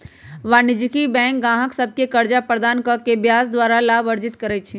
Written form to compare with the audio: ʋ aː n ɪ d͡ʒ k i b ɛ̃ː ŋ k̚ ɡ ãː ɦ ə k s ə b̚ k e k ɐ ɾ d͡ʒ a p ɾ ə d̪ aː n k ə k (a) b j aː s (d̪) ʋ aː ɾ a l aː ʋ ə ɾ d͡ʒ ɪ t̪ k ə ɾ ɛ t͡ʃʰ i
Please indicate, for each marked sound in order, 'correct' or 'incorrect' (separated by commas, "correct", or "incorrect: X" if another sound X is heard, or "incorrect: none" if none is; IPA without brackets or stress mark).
incorrect: e, correct